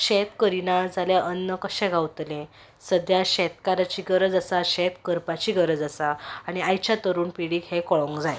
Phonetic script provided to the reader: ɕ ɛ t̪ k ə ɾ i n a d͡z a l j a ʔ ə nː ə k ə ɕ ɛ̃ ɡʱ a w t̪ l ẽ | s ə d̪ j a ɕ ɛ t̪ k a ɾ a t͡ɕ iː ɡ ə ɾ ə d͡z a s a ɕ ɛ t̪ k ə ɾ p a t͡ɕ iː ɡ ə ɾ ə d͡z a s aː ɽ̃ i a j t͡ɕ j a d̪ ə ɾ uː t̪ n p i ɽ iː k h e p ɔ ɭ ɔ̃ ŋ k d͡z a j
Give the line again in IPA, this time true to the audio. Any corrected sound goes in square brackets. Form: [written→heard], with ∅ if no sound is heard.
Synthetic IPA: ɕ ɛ t̪ k ə ɾ i n a d͡z a l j a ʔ ə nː ə k ə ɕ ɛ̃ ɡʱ a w t̪ l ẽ | s ə d̪ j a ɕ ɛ t̪ k a ɾ a t͡ɕ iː ɡ ə ɾ ə d͡z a s a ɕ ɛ t̪ k ə ɾ p a t͡ɕ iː ɡ ə ɾ ə d͡z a s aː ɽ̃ i a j t͡ɕ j a [d̪→t̪] ə ɾ uː [t̪→∅] n p i ɽ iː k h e [p→k] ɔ ɭ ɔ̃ ŋ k d͡z a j